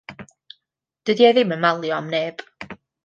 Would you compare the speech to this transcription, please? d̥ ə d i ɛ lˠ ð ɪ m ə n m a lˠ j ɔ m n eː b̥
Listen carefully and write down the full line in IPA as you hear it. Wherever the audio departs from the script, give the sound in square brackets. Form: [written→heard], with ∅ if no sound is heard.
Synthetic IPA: d̥ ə d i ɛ [lˠ→∅] ð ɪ m ə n m a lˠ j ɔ m n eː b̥